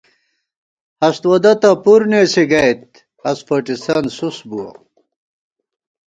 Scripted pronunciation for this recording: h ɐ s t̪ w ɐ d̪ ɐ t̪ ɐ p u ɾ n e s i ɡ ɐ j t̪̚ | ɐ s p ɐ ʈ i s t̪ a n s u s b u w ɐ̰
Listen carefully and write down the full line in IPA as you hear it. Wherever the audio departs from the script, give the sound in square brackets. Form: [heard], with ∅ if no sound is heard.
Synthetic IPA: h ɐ s t̪ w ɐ d̪ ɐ t̪ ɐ p u ɾ n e s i ɡ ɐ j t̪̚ | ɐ s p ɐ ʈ i s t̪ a n s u s b u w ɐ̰